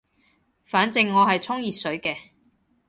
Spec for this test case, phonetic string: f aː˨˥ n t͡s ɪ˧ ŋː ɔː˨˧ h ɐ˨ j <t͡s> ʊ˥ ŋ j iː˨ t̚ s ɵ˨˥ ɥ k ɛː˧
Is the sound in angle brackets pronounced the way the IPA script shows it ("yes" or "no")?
no